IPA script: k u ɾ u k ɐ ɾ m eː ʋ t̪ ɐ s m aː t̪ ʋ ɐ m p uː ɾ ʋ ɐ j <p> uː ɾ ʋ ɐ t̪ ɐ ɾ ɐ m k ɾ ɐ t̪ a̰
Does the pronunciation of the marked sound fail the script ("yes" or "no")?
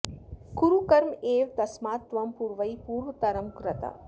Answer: no